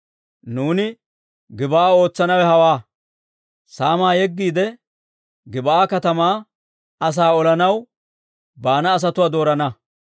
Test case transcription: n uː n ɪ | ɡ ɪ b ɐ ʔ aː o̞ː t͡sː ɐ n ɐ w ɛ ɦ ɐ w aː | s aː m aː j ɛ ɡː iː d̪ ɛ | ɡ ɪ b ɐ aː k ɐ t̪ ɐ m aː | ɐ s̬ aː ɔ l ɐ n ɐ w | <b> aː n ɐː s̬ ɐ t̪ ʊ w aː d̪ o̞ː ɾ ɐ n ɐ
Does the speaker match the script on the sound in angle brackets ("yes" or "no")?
yes